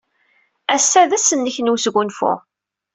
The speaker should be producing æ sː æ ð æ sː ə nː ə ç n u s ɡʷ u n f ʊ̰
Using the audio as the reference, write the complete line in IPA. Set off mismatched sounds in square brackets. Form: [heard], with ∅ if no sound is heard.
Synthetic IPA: æ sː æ ð æ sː ə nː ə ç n u s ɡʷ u n f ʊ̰